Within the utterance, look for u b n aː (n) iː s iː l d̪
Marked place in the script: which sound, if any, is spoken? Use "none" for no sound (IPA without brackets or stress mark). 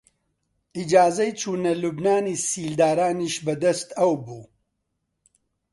n